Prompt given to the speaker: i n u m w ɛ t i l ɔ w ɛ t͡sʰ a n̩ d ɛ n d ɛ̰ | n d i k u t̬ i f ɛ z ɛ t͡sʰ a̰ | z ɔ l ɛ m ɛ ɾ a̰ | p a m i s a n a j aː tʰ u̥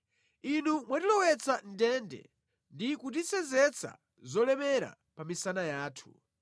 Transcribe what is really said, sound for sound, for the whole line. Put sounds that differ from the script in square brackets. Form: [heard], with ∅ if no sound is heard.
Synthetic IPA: i n u m w [a] t i l ɔ w ɛ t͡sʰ a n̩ d ɛ n d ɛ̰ | n d i k u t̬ i [s] ɛ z ɛ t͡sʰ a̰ | z ɔ l ɛ m ɛ ɾ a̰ | p a m i s a n a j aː tʰ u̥